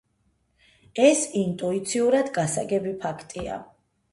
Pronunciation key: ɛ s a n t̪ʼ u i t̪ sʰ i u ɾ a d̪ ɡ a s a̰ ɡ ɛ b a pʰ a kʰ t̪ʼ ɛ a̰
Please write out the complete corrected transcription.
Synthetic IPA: ɛ s i n t̪ʼ u i t̪ sʰ i u ɾ a d̪ ɡ a s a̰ ɡ ɛ b i pʰ a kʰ t̪ʼ i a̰